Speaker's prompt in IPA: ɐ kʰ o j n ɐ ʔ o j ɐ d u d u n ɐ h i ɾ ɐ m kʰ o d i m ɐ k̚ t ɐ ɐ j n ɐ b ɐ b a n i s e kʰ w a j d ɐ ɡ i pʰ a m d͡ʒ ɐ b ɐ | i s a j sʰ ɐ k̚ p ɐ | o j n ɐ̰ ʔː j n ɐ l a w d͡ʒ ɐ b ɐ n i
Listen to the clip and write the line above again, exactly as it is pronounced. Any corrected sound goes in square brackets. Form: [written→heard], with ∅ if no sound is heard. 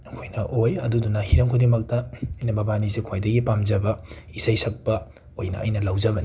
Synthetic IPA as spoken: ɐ kʰ o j n ɐ ʔ o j ɐ d u d u n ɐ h i ɾ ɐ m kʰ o d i m ɐ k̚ t ɐ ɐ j n ɐ b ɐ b a n i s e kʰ w a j d ɐ ɡ i [pʰ→p] a m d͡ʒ ɐ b ɐ | i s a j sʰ ɐ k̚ p ɐ | o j n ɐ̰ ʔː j n ɐ l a w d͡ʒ ɐ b ɐ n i